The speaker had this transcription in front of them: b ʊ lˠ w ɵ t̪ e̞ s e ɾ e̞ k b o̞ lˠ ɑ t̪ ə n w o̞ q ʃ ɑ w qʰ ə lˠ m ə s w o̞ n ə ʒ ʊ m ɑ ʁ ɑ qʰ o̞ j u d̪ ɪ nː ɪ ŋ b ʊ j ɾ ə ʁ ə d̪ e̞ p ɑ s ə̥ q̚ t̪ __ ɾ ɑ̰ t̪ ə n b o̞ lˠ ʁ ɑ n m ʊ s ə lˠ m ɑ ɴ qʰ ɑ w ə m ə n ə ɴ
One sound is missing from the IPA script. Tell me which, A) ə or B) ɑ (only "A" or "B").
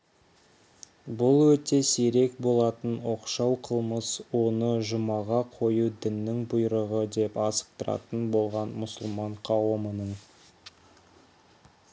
A